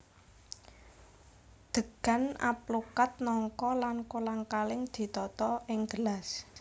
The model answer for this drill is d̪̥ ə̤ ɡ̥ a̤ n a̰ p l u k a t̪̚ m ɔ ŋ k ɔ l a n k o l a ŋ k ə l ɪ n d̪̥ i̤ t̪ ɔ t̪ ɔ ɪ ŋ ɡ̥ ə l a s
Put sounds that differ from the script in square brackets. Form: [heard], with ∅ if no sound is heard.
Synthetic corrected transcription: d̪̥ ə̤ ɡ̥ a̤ n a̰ p l u k a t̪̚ [n] ɔ ŋ k ɔ l a n k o l a ŋ k [a] l ɪ [ŋ] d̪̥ i̤ t̪ ɔ t̪ ɔ ɪ ŋ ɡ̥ ə l a s